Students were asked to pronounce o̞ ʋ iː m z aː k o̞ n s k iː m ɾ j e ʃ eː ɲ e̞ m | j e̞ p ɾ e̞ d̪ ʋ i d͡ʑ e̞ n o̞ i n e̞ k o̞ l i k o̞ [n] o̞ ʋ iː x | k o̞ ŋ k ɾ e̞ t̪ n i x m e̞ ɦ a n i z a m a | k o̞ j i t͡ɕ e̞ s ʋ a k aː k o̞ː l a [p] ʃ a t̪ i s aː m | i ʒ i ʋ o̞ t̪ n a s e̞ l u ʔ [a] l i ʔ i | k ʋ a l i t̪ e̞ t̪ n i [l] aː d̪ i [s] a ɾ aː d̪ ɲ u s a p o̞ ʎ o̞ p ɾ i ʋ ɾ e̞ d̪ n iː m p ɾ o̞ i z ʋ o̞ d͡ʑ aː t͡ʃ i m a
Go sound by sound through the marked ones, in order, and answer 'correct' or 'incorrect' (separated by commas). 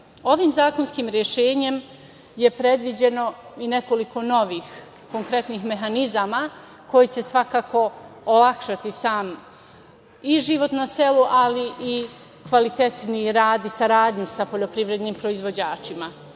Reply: correct, incorrect, correct, incorrect, correct